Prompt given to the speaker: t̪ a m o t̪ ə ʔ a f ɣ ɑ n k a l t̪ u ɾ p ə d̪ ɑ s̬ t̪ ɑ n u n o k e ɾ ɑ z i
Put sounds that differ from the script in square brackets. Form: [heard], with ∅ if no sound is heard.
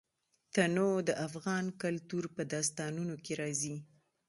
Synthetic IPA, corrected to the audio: t̪ a [n] o [d̪] ə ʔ a f ɣ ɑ n k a l t̪ u ɾ p ə d̪ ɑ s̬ t̪ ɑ n u n o k e ɾ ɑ z i